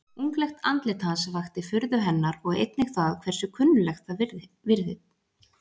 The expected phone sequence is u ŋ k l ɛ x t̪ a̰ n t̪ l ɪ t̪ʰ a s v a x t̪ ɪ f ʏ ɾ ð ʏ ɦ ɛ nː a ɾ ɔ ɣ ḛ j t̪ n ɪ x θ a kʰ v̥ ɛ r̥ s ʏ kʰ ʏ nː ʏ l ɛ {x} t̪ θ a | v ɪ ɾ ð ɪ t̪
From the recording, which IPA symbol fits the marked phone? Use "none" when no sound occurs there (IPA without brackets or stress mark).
x